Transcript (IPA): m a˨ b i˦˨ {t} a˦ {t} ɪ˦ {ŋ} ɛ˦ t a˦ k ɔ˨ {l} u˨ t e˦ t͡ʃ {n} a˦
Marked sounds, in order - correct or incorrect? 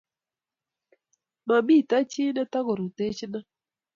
correct, incorrect: t͡ʃ, incorrect: n, incorrect: ɾ, correct

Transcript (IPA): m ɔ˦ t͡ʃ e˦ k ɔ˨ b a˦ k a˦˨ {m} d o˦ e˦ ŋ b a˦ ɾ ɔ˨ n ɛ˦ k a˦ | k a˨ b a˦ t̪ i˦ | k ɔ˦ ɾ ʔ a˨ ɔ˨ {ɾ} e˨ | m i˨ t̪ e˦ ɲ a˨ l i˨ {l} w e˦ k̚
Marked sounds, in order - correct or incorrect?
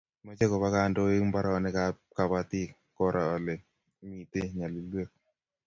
incorrect: n, incorrect: l, correct

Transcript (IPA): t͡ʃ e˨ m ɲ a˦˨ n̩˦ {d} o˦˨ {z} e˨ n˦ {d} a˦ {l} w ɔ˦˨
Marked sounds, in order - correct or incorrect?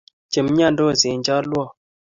correct, correct, incorrect: d͡ʒ, correct

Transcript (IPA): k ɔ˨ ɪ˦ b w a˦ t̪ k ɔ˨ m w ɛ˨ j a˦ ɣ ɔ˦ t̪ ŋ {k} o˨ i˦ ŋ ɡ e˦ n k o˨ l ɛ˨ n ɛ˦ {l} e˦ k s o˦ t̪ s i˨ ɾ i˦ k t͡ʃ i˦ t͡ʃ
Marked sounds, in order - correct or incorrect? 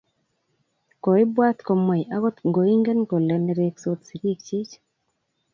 incorrect: ɡ, incorrect: ɾ

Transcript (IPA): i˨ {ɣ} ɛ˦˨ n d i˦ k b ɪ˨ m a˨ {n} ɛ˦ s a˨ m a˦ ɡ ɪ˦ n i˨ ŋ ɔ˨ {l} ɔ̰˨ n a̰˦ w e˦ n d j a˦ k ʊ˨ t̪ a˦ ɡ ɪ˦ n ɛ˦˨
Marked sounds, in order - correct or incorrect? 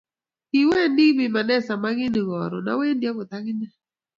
incorrect: w, correct, incorrect: ɾ

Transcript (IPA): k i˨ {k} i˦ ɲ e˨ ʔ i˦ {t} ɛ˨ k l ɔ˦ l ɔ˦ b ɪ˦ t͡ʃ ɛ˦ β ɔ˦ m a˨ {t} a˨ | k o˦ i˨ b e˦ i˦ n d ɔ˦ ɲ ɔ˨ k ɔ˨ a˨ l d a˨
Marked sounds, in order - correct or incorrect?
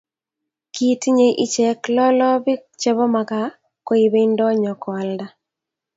incorrect: t, incorrect: t͡ʃ, incorrect: k

